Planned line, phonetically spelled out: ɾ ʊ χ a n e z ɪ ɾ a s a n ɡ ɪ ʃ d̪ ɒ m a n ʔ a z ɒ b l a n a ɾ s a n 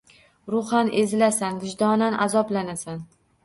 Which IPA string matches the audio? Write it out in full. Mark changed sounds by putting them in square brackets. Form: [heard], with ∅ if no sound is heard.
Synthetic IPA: ɾ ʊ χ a n e z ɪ [l] a s a n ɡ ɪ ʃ d̪ ɒ [n] a n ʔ a z ɒ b l a n a [∅] s a n